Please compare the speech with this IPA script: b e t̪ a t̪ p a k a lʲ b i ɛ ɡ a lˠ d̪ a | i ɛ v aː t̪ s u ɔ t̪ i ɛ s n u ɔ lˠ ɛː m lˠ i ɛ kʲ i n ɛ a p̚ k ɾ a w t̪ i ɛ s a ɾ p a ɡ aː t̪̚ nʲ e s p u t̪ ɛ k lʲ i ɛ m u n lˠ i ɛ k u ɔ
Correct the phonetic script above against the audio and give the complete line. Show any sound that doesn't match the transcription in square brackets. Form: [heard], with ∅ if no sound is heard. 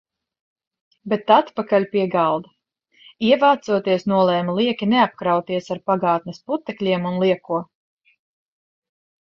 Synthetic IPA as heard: b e t̪ a t̪ p a k a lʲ [p] i ɛ ɡ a lˠ d̪ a | i ɛ v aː t̪ s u ɔ t̪ i ɛ s n u ɔ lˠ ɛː m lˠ i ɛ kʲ i n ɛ a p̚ k ɾ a w t̪ i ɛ s a ɾ p a ɡ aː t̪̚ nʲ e s p u t̪ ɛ k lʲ i ɛ m u n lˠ i ɛ k u ɔ